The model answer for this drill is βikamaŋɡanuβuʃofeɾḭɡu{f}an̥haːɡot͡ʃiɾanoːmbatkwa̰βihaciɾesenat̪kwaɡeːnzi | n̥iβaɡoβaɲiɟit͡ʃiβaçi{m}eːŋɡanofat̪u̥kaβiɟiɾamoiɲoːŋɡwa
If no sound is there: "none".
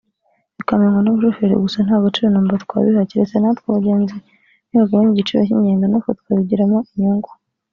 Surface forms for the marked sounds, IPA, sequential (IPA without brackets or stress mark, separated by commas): s, ɲ